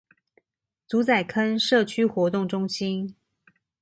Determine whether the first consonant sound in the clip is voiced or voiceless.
voiceless